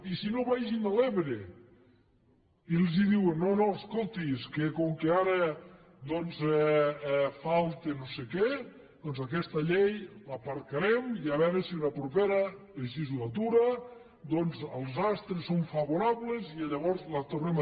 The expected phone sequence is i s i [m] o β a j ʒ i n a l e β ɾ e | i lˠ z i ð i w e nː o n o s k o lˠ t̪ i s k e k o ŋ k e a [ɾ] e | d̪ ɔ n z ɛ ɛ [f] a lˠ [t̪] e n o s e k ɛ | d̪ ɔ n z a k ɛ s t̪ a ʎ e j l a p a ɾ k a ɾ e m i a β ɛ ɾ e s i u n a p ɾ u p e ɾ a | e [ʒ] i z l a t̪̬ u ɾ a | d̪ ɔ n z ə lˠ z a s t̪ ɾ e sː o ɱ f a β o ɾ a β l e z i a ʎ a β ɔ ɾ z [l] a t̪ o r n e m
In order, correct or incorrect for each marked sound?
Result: incorrect, correct, correct, correct, correct, correct

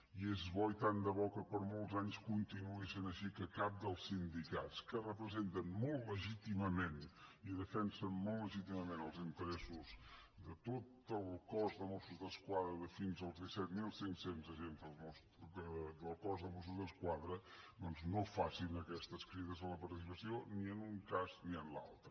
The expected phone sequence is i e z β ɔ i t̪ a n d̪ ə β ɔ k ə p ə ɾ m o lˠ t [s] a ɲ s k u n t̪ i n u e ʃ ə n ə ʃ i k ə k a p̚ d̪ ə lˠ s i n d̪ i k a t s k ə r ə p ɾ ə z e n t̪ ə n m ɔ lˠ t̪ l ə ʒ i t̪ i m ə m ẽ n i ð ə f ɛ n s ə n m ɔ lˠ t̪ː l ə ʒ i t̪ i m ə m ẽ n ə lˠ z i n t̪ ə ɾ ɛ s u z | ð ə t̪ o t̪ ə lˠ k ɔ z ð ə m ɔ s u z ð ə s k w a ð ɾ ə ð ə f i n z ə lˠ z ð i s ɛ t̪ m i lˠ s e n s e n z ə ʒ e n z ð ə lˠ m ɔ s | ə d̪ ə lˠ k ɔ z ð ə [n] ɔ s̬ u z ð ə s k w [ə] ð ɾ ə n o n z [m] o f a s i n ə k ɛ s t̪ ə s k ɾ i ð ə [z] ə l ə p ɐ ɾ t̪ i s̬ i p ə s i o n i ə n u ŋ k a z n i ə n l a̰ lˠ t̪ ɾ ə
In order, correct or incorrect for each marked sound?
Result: incorrect, incorrect, incorrect, incorrect, correct

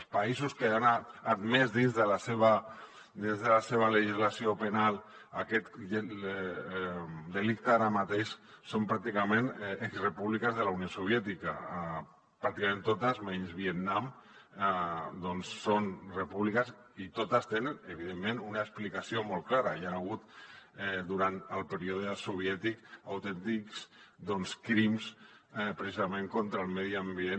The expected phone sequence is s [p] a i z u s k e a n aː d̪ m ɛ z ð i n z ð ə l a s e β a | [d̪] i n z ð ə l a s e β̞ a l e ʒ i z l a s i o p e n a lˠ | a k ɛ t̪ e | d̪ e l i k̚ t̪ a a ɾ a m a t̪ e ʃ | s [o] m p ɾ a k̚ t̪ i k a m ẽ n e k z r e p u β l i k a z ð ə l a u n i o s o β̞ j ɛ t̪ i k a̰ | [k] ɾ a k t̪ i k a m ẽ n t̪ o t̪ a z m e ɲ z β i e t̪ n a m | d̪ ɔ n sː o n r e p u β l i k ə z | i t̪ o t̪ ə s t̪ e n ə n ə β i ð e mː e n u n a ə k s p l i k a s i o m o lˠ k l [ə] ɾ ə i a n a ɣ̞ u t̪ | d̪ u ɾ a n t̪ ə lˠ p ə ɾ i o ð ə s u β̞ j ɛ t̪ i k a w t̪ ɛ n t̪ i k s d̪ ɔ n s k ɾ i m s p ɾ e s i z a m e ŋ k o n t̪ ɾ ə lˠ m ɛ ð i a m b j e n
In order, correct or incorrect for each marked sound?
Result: correct, correct, correct, incorrect, incorrect

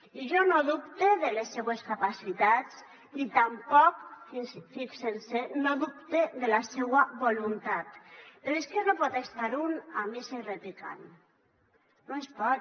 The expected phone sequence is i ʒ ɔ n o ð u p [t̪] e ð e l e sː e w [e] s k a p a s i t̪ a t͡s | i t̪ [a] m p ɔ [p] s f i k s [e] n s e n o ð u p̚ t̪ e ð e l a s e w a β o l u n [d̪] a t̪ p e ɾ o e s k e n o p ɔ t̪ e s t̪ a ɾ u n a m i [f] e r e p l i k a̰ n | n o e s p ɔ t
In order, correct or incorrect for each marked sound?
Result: correct, correct, correct, incorrect, correct, incorrect, incorrect

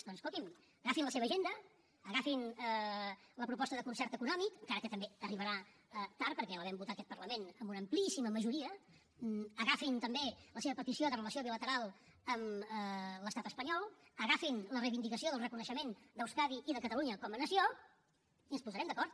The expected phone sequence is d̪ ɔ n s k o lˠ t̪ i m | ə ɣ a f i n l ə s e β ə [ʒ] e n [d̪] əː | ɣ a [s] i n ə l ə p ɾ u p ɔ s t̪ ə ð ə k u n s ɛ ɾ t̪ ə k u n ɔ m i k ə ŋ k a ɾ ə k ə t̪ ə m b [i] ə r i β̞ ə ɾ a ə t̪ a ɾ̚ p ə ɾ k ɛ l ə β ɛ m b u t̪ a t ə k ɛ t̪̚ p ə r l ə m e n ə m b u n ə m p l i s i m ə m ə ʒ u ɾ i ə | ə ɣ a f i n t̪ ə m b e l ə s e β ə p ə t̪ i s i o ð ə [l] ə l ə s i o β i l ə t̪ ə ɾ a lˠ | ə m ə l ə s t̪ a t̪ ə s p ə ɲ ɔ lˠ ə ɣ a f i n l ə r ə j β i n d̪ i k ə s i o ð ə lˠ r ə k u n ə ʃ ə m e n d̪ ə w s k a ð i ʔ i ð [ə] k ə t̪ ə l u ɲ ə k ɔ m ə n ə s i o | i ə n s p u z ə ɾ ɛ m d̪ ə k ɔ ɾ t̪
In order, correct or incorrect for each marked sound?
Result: correct, correct, incorrect, incorrect, incorrect, correct

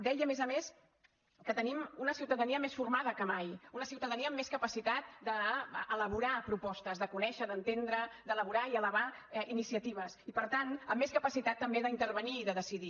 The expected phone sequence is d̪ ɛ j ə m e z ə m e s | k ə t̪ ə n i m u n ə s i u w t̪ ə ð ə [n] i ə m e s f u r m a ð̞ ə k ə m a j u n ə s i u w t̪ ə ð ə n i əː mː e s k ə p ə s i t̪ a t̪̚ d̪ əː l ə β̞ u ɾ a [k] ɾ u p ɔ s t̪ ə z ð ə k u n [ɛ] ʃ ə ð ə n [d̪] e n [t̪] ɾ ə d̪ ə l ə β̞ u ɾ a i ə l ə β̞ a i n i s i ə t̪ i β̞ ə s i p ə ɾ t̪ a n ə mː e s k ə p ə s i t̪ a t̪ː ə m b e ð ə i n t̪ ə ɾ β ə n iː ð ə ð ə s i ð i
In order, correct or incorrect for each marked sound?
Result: correct, incorrect, correct, incorrect, incorrect

